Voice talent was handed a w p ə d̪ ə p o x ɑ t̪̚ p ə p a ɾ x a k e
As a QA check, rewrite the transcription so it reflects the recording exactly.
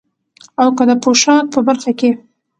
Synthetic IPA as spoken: a w k ə d̪ ə p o ʃ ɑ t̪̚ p ə b a ɾ x a k e

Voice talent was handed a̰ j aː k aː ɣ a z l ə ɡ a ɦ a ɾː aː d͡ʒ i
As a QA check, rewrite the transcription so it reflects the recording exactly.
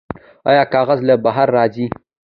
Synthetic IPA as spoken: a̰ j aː k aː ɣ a z l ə b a ɦ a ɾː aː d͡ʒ i

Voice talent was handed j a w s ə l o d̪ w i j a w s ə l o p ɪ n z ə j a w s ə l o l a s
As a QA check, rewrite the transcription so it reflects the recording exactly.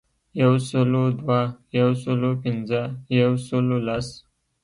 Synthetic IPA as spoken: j a w s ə l o d̪ w a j a w s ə l o p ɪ n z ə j a w s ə l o l a s

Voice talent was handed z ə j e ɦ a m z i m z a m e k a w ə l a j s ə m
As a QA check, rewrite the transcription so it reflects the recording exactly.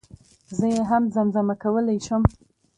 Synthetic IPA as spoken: z ə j e ɦ a m z a m z a m a k a w ə l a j ʃ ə m

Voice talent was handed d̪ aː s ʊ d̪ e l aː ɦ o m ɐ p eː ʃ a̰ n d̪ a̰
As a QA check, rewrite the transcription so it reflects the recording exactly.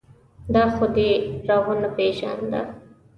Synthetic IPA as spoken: d̪ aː x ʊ d̪ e ɾ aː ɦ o n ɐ p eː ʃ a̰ n d̪ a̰

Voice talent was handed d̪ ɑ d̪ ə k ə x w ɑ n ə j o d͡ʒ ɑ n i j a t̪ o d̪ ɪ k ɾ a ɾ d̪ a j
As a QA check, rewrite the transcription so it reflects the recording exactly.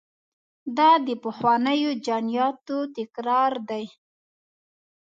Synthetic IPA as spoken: d̪ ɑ d̪ ə p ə x w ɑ n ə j o d͡ʒ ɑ n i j ɑ t̪ o t̪ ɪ k ɾ ɑ ɾ d̪ a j

